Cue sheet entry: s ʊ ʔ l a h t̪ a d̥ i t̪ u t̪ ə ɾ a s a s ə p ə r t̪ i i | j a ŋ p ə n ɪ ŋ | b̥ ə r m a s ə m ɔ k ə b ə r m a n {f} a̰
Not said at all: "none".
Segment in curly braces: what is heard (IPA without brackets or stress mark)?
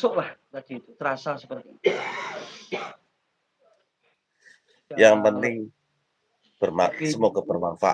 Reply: f